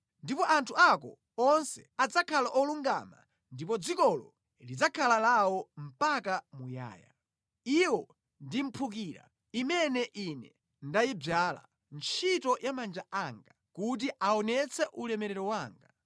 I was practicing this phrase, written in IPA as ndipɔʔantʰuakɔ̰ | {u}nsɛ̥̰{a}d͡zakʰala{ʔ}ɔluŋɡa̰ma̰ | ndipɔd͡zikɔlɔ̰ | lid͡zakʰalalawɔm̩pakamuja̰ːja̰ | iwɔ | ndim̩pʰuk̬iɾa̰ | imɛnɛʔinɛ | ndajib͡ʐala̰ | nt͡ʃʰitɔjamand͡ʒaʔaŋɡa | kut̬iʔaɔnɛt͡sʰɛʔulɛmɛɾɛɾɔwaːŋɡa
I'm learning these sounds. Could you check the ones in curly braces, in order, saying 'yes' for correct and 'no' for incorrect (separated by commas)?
no, yes, yes